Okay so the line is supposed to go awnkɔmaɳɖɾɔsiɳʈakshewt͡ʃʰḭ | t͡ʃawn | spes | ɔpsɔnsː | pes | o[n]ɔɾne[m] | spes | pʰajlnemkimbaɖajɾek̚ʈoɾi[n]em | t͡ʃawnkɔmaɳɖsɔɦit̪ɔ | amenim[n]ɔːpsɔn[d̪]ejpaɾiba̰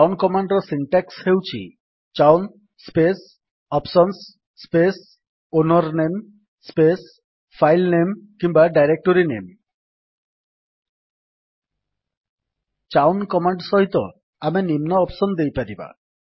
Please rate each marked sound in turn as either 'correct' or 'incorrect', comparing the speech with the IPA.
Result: correct, correct, correct, correct, correct

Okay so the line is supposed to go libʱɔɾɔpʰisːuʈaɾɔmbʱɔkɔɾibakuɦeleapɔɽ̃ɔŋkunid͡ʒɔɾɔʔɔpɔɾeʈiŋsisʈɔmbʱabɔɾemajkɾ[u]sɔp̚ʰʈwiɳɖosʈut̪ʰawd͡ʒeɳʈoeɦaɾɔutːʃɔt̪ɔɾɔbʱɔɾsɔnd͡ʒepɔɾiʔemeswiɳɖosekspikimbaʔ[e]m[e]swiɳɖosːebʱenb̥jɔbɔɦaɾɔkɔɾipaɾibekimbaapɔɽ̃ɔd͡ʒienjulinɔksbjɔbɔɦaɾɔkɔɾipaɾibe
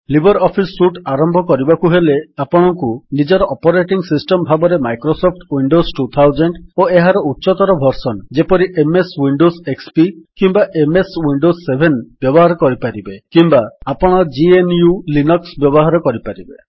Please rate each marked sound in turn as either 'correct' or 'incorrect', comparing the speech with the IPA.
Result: incorrect: o, correct, correct

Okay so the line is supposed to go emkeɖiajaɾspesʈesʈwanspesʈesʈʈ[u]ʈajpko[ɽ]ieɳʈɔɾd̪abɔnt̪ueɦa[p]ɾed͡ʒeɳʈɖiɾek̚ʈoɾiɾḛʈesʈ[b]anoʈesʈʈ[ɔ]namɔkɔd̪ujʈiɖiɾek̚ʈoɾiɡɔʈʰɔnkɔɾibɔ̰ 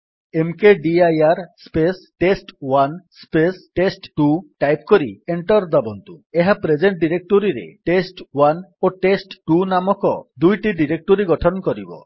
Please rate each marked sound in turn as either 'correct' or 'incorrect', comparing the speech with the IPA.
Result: correct, incorrect: ɾ, correct, incorrect: w, incorrect: u

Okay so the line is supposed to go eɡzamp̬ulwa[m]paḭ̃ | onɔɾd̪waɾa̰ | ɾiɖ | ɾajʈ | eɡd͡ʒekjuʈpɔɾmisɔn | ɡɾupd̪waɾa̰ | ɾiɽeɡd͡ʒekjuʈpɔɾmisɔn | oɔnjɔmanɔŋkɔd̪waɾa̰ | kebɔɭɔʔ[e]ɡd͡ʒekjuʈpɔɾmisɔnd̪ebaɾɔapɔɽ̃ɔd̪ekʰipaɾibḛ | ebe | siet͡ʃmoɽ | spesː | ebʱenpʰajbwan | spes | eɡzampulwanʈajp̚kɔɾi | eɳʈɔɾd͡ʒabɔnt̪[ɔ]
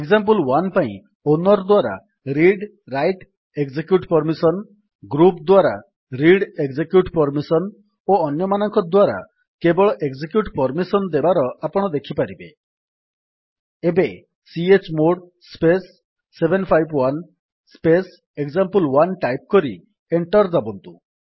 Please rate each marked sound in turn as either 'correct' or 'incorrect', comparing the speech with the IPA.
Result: incorrect: n, correct, incorrect: u

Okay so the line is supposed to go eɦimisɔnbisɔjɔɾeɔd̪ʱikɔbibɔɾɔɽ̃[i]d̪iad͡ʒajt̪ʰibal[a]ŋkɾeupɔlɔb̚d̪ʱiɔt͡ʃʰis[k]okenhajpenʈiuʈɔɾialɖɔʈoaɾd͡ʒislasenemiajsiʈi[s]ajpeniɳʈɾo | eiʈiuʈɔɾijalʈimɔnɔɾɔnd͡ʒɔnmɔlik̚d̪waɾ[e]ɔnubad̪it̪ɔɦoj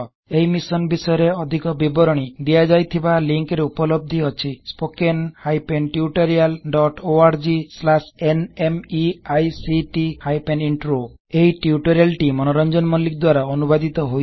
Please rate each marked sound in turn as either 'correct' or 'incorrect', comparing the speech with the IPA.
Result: correct, incorrect: i, incorrect: p, incorrect: h, incorrect: a

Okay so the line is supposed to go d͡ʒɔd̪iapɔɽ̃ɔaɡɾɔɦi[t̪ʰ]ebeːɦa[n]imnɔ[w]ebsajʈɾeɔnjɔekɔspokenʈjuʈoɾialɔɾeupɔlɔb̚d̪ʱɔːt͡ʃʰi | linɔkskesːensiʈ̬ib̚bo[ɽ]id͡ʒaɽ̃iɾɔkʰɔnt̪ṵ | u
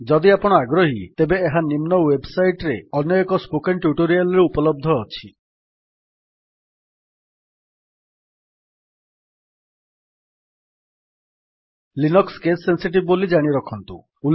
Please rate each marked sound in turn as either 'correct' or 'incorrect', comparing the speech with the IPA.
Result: incorrect: t̪, correct, correct, incorrect: l

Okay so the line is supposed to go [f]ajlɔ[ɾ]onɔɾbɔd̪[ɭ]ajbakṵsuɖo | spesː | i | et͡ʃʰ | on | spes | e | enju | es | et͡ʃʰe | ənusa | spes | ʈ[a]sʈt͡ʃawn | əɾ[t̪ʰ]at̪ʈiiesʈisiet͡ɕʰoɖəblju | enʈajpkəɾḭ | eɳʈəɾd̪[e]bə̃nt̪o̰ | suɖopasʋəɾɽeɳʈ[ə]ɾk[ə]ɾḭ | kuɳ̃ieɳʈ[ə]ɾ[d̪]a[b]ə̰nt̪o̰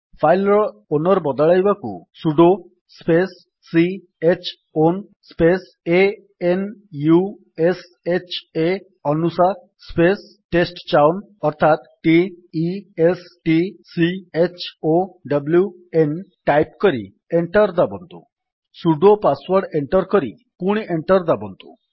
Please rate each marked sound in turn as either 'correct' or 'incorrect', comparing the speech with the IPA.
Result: correct, incorrect: ɭ, correct, incorrect: e, correct, incorrect: a, correct, correct, correct, correct, correct

